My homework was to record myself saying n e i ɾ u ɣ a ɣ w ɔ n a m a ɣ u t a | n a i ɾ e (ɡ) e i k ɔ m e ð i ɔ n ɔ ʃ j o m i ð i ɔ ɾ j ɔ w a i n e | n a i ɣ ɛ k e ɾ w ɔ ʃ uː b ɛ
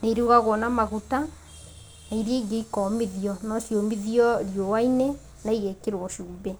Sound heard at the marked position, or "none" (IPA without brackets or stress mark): ɡ